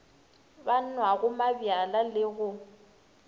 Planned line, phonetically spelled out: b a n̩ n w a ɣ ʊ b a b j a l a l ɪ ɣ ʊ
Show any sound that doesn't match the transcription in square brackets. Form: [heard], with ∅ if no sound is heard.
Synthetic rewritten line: b a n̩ n w a ɣ ʊ [m] a b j a l a l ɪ ɣ ʊ